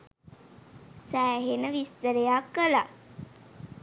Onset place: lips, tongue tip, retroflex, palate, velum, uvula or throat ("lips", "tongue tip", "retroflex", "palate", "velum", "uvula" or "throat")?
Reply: tongue tip